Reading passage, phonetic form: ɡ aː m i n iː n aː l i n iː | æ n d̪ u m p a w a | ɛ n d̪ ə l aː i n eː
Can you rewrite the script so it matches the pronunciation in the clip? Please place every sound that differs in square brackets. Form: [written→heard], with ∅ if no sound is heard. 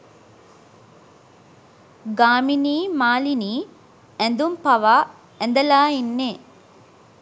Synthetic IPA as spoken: ɡ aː m i n iː [n→m] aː l i n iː | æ n d̪ u m p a [w→ʋ] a | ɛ n d̪ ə l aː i [n→nː] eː